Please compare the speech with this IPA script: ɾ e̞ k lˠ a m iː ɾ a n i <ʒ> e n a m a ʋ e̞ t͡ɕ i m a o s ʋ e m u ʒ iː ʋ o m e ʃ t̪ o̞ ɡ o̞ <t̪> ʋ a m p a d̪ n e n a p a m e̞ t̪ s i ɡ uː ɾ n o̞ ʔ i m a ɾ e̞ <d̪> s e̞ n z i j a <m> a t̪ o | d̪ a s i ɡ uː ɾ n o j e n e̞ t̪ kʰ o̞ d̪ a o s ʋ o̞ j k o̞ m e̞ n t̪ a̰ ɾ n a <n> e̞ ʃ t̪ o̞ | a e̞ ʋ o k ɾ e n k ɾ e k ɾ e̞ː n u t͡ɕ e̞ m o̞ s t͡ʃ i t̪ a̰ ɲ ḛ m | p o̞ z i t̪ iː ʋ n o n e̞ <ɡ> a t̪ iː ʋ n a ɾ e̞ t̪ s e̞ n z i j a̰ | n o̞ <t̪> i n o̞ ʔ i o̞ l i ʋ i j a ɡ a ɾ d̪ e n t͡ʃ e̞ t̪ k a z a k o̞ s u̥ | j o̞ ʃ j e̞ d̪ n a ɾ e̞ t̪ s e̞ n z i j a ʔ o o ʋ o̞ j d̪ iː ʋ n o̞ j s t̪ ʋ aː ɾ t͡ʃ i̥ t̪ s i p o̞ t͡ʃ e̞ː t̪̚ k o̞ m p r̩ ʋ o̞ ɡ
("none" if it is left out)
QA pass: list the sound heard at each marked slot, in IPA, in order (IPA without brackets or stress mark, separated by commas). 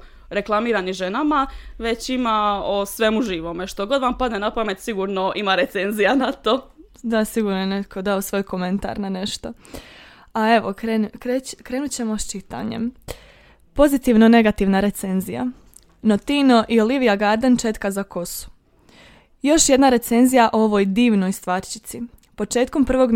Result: ʒ, d̪, t̪, n, n, ɡ, t̪